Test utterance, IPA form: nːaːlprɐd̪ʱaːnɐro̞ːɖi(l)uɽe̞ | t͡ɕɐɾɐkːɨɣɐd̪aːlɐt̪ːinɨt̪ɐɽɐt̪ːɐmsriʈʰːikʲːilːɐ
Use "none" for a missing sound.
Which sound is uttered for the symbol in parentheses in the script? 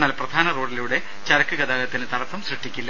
l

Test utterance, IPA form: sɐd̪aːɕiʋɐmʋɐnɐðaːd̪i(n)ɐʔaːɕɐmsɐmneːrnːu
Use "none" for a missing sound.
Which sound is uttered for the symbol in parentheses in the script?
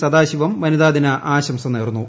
n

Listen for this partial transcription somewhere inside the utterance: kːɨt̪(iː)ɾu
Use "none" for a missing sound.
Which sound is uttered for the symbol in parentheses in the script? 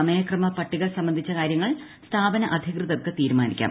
iː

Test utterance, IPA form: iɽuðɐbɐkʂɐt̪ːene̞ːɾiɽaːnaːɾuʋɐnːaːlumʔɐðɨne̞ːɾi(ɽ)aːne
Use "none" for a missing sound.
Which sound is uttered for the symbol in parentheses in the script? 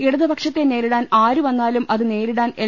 ɽ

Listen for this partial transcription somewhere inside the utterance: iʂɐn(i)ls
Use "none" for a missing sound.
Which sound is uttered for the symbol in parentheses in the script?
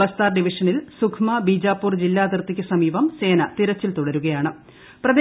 i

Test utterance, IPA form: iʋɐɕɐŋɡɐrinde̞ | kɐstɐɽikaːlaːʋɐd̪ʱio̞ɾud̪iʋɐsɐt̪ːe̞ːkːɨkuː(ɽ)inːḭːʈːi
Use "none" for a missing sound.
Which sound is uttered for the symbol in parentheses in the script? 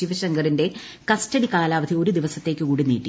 ɽ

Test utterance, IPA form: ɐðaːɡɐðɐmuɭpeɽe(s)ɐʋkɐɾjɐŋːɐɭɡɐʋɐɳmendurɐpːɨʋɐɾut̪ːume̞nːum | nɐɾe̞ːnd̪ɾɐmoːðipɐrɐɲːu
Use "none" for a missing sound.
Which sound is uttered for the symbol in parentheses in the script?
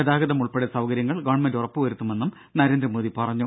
s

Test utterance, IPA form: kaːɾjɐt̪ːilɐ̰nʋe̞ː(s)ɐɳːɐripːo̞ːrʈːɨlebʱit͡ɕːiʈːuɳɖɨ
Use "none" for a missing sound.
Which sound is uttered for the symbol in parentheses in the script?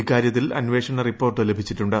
ʂ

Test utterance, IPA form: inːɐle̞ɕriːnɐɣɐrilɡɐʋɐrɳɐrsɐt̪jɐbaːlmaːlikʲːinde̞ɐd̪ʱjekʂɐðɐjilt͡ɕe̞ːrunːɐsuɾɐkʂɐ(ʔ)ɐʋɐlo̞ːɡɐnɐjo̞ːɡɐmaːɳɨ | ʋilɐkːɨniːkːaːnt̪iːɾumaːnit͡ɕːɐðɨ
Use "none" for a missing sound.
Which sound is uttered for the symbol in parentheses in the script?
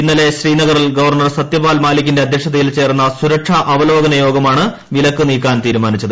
ʔ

